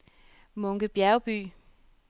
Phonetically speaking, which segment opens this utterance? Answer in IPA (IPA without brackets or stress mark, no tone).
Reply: m